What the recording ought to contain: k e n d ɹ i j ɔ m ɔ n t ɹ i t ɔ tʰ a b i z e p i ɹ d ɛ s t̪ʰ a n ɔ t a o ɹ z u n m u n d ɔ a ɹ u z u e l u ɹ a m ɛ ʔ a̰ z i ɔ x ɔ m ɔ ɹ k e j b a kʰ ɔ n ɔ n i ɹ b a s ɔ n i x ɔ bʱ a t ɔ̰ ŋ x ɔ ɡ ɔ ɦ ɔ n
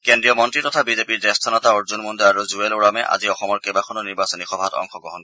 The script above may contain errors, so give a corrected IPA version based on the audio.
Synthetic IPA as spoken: k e n d ɹ i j ɔ m ɔ n t ɹ i t ɔ tʰ a b i z e p i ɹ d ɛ s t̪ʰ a n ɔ t a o ɹ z u n m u n d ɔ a ɹ u z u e l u ɹ a m ɛ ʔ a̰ z i ɔ x ɔ m ɔ ɹ k e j b a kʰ ɔ n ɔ n i ɹ b a s ɔ n i x ɔ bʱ a t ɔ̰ ŋ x ɔ ɡ ɔ ɦ ɔ n

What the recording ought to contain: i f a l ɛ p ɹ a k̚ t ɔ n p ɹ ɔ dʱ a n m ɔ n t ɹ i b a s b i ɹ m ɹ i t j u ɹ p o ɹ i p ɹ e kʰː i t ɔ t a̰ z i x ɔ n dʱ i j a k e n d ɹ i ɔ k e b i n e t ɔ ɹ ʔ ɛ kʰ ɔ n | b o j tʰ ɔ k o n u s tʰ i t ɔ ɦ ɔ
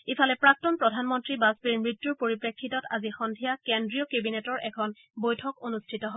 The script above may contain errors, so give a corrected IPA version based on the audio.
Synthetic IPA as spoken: i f a l ɛ p ɹ a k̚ t ɔ n p ɹ ɔ dʱ a n m ɔ n t ɹ i b a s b i ɹ m ɹ i t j u ɹ p o ɹ i p ɹ e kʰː i t ɔ t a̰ z i x ɔ n dʱ i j a k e n d ɹ i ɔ k e b i n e t ɔ ɹ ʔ ɛ kʰ ɔ n | b o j tʰ ɔ k o n u s tʰ i t ɔ ɦ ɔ

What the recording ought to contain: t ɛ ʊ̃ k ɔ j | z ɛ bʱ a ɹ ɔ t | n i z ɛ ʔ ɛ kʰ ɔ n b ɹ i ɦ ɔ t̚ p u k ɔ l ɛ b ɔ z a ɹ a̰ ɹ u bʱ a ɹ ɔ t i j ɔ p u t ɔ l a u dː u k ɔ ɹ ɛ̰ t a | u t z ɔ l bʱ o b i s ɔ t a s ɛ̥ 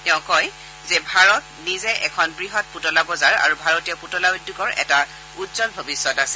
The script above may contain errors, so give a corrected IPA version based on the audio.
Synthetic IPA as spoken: t ɛ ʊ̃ k ɔ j | z ɛ bʱ a ɹ ɔ t | n i z ɛ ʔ ɛ kʰ ɔ n b ɹ i ɦ ɔ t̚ p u t ɔ l a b ɔ z a ɹ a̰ ɹ u bʱ a ɹ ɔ t i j ɔ p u t ɔ l a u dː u k ɔ ɹ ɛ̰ t a | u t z ɔ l bʱ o b i s ɔ t a s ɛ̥

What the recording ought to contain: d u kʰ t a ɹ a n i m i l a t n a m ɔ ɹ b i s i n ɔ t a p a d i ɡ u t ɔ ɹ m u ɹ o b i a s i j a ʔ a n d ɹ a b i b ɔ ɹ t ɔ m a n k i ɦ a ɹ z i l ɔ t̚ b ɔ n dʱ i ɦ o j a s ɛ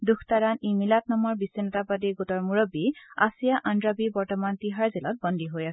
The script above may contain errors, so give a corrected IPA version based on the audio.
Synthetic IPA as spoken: d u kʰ t a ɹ a n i m i l a t n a m ɔ ɹ b i s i n ɔ t a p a d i ɡ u t ɔ ɹ m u ɹ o b i a s i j a ʔ a n d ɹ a b i b ɔ ɹ t ɔ m a n t i ɦ a ɹ z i l ɔ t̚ b ɔ n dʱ i ɦ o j a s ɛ

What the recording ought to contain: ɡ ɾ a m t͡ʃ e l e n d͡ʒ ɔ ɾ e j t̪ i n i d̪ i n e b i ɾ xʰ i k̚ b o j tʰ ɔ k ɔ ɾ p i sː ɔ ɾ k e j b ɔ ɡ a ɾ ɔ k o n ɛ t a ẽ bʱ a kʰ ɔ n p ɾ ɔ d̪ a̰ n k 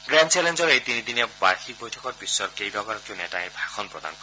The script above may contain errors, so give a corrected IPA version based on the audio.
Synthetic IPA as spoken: ɡ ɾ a n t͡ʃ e l e n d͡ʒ ɔ ɾ e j t̪ i n i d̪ i n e b a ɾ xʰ i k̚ b o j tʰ ɔ k ɔ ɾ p i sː ɔ ɾ k e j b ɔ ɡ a ɾ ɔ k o n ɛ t a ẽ bʱ a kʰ ɔ n p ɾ ɔ d̪ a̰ n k

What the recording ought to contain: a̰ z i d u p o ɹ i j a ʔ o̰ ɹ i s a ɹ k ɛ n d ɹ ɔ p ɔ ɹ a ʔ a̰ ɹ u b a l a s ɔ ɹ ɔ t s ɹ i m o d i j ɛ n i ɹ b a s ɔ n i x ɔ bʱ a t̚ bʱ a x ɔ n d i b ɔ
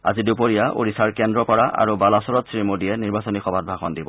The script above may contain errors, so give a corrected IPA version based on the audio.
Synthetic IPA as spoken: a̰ z i d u p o ɹ i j a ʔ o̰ ɹ i s a ɹ k ɛ n d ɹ ɔ p ɔ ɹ a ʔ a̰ ɹ u b a l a s ɔ ɹ ɔ t s ɹ i m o d i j ɛ n i ɹ b a s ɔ n i x ɔ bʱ a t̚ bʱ a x ɔ n d i b ɔ

